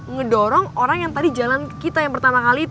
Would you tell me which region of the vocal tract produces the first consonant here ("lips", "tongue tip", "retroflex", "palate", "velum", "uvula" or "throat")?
velum